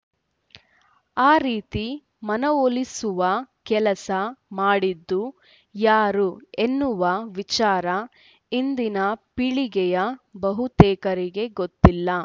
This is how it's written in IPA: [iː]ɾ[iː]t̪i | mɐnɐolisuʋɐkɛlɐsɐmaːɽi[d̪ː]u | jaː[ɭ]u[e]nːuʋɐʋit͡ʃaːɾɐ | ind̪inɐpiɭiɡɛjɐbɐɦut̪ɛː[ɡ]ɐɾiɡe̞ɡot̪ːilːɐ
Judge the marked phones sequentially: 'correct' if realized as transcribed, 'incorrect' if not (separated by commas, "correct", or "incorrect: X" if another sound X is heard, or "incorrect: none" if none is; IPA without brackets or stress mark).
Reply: incorrect: aː, correct, correct, incorrect: ɾ, correct, incorrect: k